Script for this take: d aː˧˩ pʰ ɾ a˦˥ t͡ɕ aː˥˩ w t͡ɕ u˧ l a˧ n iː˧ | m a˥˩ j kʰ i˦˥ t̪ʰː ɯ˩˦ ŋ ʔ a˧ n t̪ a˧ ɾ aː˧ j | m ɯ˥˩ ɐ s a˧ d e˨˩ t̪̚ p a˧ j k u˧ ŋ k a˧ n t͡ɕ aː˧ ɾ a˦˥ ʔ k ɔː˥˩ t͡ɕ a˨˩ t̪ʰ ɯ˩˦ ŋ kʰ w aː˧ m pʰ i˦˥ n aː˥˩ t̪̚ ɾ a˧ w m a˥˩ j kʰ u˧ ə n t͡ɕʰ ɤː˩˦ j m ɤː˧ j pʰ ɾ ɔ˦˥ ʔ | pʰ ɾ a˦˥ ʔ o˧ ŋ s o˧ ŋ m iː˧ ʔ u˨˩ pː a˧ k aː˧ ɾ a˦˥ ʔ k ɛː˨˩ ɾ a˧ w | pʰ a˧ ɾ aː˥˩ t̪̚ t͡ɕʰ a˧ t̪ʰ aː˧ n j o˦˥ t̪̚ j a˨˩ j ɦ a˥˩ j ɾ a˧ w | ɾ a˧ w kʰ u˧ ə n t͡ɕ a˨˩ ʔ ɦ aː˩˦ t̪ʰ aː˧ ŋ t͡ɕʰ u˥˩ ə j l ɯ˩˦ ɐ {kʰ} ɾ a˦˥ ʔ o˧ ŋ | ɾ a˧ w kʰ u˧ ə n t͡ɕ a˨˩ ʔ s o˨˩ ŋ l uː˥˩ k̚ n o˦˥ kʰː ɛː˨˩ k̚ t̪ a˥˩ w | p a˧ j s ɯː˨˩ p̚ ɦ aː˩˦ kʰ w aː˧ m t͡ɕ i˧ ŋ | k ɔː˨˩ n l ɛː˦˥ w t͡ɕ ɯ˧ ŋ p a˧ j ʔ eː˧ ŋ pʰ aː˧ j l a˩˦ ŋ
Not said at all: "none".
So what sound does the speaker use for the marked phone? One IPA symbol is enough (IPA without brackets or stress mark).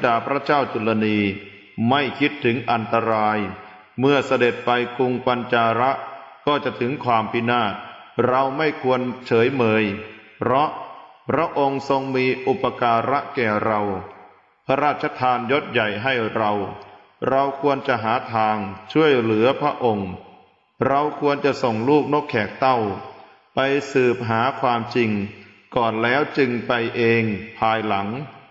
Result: pʰ